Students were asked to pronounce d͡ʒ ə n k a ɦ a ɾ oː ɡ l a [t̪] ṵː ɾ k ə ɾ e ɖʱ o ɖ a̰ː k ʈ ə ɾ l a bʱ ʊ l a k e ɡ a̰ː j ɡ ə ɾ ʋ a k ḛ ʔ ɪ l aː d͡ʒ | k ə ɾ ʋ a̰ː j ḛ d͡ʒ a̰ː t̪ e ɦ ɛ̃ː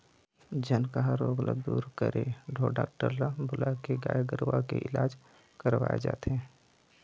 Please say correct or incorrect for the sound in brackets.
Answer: incorrect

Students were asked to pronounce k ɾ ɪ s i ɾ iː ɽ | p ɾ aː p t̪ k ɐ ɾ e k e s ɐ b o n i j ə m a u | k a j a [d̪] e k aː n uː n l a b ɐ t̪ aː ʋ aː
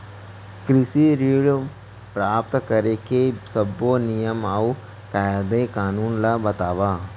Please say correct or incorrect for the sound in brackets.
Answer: correct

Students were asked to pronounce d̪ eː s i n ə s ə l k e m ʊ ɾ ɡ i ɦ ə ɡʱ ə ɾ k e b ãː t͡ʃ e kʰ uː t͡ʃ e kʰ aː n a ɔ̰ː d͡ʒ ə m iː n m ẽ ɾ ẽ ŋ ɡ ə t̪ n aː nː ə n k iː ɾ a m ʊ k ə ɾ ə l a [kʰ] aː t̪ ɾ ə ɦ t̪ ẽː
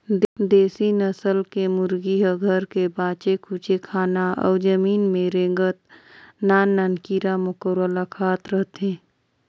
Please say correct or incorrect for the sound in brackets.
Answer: correct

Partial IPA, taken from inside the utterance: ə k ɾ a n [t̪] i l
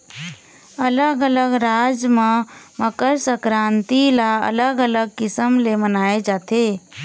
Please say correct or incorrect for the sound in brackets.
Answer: correct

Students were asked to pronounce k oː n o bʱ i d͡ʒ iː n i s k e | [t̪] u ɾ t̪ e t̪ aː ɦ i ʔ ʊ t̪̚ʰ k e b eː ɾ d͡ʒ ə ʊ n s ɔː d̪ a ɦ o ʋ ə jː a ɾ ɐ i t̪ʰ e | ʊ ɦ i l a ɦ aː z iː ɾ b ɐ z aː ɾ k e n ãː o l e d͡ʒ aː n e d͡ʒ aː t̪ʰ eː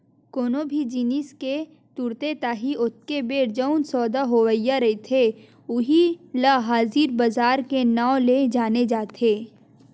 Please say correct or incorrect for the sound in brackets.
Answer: correct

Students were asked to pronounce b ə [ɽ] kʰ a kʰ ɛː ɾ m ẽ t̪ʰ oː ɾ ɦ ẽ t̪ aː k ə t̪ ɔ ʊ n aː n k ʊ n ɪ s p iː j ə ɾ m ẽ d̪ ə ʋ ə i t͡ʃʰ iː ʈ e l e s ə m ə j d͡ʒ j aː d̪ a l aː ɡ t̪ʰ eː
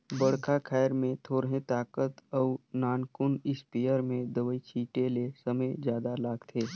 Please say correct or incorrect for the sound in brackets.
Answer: correct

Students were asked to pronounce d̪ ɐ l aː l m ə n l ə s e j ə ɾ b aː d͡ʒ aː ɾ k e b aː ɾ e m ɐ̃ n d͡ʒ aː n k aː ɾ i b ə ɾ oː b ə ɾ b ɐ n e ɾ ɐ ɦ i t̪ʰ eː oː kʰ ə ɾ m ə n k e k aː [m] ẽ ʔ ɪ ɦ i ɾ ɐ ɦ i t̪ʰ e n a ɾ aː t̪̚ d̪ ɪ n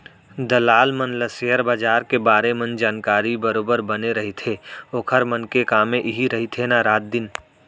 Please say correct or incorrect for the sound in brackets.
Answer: correct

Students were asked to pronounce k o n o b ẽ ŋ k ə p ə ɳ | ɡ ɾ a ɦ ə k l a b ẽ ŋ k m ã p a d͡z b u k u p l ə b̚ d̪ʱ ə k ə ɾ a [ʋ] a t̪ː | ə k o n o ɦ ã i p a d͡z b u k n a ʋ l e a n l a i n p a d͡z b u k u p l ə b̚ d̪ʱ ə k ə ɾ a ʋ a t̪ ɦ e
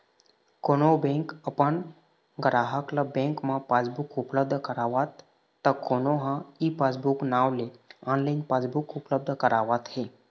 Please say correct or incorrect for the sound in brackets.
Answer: correct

